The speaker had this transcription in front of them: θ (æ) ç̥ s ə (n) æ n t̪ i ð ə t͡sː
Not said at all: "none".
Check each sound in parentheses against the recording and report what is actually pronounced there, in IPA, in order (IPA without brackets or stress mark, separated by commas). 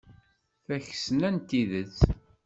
æ, n